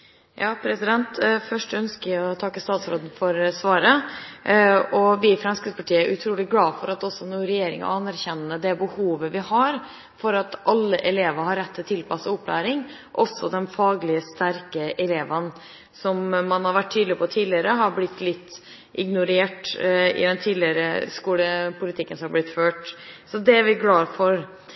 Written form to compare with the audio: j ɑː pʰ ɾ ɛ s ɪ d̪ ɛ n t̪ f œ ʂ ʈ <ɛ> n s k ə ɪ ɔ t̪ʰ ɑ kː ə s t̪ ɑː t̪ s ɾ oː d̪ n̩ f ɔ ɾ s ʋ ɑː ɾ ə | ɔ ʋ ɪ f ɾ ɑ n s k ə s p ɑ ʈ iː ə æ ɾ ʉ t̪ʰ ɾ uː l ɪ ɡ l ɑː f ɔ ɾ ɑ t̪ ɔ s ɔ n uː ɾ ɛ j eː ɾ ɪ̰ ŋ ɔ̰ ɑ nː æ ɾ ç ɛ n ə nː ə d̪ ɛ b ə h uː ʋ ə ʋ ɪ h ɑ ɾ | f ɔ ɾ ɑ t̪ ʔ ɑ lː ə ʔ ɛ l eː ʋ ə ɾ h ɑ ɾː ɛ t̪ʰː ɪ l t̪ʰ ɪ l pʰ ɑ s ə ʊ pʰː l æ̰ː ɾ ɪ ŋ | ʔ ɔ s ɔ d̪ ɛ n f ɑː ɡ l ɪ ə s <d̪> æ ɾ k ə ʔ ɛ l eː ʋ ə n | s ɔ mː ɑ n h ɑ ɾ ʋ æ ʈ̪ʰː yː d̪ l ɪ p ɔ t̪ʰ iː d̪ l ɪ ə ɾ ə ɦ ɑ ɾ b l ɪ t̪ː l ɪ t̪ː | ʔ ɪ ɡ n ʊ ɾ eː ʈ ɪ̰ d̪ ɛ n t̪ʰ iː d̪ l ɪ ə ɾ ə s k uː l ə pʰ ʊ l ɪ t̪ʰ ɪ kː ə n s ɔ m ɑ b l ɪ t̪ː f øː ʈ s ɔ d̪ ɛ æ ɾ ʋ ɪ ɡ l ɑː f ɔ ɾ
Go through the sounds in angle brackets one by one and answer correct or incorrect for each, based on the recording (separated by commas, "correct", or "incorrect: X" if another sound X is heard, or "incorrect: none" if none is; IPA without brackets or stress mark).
incorrect: œ, incorrect: t̪